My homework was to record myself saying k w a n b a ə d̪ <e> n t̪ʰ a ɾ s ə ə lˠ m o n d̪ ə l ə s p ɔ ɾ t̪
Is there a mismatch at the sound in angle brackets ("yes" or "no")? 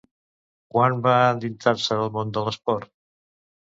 yes